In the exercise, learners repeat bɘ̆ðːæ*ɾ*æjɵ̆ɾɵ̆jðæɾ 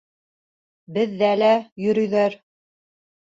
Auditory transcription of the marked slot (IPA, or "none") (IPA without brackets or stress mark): l